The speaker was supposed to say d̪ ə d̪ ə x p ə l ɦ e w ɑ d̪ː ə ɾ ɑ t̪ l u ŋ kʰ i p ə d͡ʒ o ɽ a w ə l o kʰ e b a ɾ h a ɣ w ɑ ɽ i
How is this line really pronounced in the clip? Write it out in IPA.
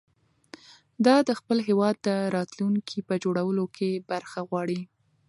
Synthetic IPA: d̪ ɑ d̪ ə x p ə l ɦ e w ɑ d̪ː ə ɾ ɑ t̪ l u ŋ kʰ i p ə d͡ʒ o ɽ a w ə l o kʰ e b a ɾ x a ɣ w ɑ ɽ i